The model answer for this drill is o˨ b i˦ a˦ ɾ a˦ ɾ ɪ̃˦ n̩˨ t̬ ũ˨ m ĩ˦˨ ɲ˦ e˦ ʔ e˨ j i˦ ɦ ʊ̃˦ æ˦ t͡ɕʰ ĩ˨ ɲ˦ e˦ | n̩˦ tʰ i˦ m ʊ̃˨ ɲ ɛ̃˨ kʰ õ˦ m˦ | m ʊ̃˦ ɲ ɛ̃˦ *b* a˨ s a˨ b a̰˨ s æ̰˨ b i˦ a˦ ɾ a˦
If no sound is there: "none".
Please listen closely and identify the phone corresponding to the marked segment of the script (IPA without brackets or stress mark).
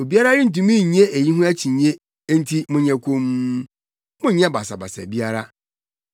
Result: b